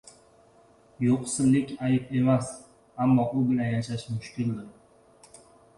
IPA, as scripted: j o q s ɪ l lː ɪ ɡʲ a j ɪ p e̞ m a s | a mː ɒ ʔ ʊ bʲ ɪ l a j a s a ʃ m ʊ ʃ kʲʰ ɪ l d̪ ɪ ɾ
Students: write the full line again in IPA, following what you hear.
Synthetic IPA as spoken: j o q s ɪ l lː ɪ kʲ a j ɪ p e̞ m a s | a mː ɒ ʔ ʊ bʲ ɪ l a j a ʃ a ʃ m ʊ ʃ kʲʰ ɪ l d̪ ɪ ɾ